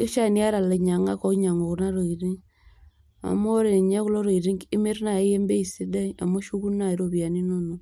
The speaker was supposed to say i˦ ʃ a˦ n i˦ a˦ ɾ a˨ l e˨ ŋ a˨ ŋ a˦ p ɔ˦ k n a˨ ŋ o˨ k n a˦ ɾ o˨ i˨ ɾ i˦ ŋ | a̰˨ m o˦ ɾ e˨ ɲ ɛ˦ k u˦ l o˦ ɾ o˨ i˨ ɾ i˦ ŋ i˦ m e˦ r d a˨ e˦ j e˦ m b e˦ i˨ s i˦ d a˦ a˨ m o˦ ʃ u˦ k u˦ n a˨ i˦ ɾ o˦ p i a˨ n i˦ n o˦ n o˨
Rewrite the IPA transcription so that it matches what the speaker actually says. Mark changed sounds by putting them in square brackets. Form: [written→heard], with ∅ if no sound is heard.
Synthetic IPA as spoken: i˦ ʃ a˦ n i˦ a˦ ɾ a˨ l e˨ [ŋ→ɲ] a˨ ŋ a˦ [p→k] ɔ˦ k [n→ɲ] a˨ ŋ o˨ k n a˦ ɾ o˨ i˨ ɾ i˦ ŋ | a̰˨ m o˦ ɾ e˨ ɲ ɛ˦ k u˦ l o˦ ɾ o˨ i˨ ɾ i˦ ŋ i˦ m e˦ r [d→n] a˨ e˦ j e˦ m b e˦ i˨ s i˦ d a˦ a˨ m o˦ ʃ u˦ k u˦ n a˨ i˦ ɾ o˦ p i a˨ n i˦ n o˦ n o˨